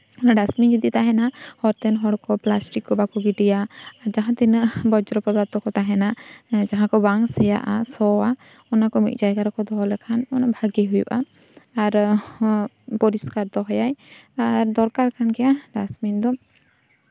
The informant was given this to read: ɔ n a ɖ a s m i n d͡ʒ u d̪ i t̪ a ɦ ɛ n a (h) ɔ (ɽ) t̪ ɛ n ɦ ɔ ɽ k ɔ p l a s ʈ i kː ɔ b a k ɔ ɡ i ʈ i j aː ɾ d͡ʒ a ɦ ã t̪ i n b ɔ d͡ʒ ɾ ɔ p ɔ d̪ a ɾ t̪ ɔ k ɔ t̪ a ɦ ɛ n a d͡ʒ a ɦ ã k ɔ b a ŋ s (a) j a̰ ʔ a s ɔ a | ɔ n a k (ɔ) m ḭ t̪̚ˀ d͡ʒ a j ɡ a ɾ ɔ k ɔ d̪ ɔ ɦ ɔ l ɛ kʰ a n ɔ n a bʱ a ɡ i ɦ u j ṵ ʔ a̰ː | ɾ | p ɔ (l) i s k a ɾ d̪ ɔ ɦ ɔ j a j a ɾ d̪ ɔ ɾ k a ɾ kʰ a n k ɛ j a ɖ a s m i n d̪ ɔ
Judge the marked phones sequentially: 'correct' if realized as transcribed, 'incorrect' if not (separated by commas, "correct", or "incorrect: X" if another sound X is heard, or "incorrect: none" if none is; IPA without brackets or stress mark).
correct, incorrect: ɾ, incorrect: ɛ, correct, incorrect: ɾ